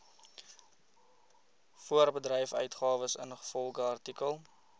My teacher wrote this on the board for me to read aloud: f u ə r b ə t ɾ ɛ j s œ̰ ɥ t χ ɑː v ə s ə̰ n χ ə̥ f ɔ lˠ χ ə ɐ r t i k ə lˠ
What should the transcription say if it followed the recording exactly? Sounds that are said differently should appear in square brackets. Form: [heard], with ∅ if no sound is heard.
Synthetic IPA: f u ə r b ə [d] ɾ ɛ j [f] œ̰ ɥ t χ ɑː v ə s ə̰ n χ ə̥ f ɔ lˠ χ ə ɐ r t i k ə lˠ